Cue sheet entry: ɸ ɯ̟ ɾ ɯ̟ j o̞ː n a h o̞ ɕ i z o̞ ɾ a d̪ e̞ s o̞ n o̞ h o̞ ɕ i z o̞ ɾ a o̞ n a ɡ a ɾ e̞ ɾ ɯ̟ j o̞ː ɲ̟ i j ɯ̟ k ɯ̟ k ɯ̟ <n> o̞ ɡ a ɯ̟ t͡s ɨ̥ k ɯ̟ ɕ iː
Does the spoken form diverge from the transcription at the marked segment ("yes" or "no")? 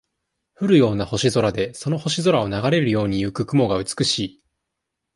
yes